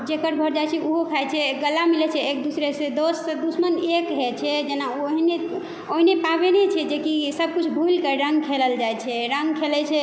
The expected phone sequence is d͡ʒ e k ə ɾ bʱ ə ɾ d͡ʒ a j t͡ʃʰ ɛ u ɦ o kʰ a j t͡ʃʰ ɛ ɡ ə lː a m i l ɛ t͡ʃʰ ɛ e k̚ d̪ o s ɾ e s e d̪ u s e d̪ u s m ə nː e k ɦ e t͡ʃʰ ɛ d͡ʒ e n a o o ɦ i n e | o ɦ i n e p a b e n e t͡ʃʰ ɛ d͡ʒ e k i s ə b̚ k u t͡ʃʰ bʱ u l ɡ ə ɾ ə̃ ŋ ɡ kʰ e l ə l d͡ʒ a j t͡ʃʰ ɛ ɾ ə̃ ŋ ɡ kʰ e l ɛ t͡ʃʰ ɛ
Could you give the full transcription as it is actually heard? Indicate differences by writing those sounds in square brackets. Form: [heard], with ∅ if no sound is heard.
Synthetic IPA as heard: d͡ʒ e k ə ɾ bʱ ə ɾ d͡ʒ a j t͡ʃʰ ɛ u ɦ o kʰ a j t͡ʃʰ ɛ ɡ ə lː a m i l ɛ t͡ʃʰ ɛ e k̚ d̪ [u] s ɾ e s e d̪ [o] s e d̪ u s m ə [n] e k ɦ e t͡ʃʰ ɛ d͡ʒ e n a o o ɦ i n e | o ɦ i n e p a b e n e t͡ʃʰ ɛ d͡ʒ e k i s ə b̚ k u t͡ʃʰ bʱ u l [k] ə ɾ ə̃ ŋ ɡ kʰ e l ə l d͡ʒ a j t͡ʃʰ ɛ ɾ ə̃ ŋ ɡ kʰ e l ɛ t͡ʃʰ ɛ